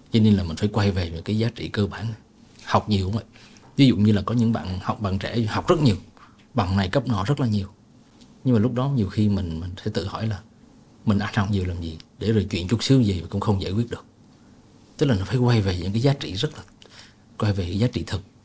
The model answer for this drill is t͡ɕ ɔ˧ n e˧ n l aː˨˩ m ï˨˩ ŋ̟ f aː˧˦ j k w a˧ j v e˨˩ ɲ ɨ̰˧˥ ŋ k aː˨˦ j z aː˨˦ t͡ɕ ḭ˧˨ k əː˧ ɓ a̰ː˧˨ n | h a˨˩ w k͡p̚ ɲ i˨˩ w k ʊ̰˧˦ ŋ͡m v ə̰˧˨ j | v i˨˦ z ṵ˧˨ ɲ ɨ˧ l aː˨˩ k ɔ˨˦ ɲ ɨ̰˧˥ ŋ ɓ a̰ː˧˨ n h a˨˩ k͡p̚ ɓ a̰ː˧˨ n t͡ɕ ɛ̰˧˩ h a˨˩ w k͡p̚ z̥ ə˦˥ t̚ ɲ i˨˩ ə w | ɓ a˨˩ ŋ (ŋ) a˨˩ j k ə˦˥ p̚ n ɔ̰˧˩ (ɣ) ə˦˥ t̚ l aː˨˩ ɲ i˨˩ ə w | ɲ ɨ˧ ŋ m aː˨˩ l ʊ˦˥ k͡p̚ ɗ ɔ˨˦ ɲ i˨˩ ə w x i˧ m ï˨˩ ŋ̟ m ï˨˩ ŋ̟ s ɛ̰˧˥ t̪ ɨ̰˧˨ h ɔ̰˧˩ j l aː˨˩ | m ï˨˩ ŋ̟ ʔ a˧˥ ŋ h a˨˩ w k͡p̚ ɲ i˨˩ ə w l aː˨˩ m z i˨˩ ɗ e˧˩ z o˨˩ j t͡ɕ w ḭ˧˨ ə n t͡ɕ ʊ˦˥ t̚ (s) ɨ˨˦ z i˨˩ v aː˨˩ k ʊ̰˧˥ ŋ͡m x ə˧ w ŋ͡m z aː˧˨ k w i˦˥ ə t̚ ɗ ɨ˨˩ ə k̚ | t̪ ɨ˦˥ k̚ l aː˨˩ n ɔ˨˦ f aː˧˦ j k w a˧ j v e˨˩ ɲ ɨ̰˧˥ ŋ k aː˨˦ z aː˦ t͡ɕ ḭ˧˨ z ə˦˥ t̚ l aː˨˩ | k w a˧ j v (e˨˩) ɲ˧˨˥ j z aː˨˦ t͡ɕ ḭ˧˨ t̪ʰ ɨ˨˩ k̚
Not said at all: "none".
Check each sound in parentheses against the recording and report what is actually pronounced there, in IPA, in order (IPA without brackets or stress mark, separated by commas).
n, z, s, e˨˩